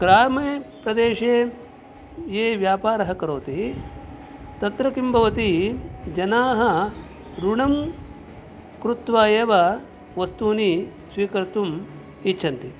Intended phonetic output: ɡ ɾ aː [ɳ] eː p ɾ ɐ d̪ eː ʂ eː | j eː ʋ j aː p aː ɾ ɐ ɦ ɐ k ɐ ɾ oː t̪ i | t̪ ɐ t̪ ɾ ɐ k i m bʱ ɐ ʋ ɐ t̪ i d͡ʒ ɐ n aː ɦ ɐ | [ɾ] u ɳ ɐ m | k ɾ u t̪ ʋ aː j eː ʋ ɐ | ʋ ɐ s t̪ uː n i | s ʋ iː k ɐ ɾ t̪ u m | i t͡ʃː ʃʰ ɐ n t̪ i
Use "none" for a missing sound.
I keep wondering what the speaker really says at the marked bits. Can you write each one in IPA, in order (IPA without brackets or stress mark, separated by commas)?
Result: m, ɾ